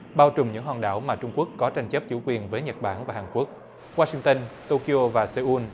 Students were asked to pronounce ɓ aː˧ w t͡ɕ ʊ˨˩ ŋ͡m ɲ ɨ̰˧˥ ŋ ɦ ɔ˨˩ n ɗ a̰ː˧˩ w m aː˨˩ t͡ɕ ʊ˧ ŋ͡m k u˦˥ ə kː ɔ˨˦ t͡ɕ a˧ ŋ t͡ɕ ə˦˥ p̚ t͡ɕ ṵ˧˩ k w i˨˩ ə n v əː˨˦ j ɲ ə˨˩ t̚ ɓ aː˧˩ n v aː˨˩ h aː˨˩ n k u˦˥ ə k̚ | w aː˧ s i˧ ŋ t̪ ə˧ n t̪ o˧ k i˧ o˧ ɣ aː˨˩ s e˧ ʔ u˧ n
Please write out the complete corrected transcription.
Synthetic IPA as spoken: ɓ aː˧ w t͡ɕ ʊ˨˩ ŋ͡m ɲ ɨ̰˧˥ ŋ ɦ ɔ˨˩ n ɗ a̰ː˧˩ w m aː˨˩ t͡ɕ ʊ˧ ŋ͡m k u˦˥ ə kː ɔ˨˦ t͡ɕ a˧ ŋ t͡ɕ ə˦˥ p̚ t͡ɕ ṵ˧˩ k w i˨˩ ə n v əː˨˦ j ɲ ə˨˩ t̚ ɓ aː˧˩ n v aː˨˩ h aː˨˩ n k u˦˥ ə k̚ | w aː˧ s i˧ ŋ t̪ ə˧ n t̪ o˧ k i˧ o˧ v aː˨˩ s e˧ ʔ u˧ n